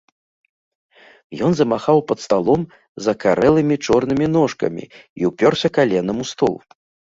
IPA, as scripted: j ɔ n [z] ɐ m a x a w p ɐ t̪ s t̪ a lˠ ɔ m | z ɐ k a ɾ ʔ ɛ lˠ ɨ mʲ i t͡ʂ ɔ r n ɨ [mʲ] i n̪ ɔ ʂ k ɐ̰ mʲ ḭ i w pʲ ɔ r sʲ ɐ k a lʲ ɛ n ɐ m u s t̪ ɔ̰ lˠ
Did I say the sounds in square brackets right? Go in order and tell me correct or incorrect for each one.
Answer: correct, correct

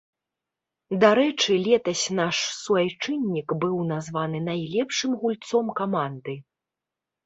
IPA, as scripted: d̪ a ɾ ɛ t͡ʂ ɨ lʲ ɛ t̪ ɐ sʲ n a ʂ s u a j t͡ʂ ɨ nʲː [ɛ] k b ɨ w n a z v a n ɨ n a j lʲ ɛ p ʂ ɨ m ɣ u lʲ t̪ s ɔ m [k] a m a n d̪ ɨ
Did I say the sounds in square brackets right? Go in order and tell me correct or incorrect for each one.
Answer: incorrect, correct

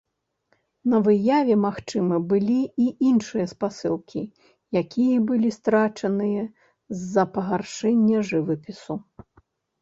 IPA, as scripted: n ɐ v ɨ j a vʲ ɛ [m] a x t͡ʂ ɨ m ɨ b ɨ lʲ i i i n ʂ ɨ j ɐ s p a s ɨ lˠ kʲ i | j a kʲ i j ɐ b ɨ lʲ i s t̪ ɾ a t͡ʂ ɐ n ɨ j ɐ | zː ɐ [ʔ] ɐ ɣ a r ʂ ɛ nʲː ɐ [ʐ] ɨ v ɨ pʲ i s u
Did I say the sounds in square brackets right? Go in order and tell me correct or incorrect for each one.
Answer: correct, incorrect, correct

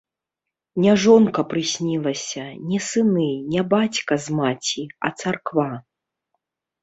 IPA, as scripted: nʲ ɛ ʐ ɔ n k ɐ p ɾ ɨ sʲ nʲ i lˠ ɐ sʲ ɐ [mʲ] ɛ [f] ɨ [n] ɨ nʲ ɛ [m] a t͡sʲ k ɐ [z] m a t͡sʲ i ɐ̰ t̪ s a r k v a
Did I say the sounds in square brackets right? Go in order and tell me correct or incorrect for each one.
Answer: incorrect, incorrect, correct, incorrect, correct

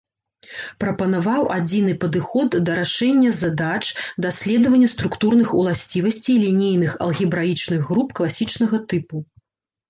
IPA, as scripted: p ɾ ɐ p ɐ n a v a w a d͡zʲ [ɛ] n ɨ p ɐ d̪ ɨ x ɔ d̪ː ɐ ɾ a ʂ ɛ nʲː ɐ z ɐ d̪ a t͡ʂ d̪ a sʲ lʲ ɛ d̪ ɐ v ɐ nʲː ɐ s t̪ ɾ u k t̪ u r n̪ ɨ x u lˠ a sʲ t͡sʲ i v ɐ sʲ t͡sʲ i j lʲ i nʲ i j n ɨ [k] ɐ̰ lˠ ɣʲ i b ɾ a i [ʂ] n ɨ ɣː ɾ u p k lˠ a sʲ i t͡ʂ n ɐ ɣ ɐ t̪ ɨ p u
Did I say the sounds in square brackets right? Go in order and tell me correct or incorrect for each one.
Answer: incorrect, incorrect, incorrect

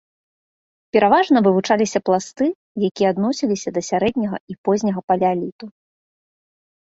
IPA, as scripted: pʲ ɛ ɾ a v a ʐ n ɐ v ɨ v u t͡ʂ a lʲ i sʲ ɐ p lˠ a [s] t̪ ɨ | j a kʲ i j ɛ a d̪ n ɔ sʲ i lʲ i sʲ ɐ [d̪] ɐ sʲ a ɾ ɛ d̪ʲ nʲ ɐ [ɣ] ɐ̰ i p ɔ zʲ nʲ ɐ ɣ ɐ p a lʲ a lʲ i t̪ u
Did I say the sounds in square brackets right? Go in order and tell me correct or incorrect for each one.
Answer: correct, correct, correct

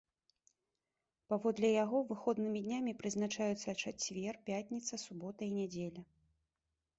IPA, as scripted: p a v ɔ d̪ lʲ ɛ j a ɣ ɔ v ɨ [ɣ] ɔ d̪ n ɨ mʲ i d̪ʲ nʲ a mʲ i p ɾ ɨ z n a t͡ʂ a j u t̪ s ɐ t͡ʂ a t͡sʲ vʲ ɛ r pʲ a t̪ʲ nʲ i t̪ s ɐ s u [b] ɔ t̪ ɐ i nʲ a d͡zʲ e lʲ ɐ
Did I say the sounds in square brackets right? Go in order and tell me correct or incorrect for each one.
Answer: incorrect, correct

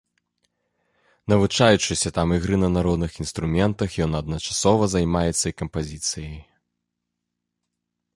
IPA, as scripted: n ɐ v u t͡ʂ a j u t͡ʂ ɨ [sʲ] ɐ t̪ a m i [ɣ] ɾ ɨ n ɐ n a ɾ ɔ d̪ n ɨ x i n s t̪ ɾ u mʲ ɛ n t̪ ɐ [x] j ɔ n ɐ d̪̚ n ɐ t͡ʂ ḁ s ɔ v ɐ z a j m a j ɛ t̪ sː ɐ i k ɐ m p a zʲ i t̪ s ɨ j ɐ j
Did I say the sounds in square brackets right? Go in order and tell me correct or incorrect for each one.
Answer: correct, correct, correct

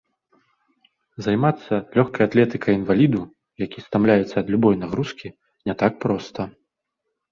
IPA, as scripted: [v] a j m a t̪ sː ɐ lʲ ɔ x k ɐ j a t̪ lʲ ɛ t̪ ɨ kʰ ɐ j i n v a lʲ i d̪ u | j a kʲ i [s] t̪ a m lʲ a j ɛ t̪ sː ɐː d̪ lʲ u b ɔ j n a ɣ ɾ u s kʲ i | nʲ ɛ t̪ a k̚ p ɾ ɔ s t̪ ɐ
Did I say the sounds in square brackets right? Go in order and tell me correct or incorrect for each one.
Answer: incorrect, correct

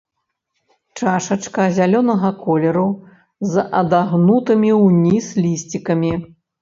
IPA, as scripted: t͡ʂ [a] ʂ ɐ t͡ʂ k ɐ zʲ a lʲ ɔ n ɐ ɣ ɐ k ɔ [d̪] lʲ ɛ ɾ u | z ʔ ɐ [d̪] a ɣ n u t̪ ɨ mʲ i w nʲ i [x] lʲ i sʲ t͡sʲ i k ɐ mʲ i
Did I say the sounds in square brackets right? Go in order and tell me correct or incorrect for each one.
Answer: correct, incorrect, correct, incorrect

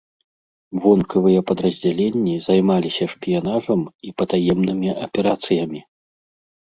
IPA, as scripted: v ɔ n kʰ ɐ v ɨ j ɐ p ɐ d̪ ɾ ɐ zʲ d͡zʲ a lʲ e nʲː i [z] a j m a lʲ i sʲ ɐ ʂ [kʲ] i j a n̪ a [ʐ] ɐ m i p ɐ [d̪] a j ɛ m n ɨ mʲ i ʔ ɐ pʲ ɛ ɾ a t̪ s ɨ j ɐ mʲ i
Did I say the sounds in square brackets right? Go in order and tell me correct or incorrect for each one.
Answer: correct, incorrect, correct, incorrect

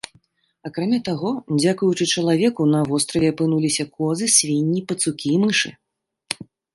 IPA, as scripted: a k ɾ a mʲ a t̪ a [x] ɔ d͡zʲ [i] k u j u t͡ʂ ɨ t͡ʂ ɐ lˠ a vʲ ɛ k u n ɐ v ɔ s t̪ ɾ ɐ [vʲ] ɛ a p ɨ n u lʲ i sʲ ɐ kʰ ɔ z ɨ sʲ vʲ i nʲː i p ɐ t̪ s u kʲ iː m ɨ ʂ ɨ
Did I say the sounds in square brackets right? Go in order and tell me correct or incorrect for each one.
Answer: incorrect, incorrect, correct

